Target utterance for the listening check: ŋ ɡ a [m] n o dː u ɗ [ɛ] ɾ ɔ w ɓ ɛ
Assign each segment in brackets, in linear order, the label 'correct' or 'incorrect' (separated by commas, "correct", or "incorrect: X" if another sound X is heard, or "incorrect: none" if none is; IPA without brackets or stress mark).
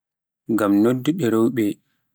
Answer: correct, correct